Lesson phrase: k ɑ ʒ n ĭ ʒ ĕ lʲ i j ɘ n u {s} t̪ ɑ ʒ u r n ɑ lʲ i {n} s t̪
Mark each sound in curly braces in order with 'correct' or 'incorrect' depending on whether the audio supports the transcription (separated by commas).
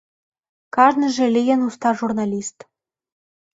correct, incorrect